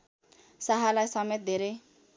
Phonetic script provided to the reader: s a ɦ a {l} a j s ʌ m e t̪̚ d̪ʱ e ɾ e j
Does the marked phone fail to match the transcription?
no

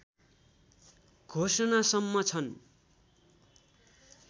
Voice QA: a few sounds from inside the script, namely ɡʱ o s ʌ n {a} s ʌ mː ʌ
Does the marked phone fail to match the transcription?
no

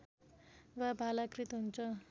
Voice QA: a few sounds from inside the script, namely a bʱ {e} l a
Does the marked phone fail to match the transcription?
yes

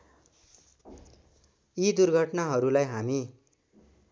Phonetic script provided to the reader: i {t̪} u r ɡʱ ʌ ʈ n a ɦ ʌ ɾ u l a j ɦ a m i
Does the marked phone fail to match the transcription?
yes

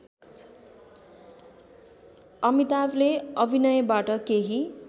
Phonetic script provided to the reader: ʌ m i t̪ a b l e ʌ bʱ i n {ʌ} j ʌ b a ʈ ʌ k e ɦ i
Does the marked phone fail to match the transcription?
no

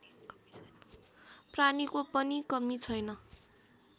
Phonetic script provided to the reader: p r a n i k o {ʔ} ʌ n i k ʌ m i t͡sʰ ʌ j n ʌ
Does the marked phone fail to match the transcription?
yes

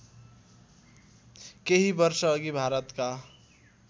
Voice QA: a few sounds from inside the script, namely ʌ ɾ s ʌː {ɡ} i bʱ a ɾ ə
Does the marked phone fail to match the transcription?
no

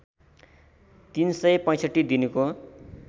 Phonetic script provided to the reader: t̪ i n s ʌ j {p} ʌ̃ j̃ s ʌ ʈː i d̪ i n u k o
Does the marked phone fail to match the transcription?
no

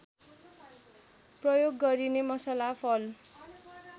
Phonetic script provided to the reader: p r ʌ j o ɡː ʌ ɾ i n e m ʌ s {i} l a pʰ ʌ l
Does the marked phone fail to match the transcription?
yes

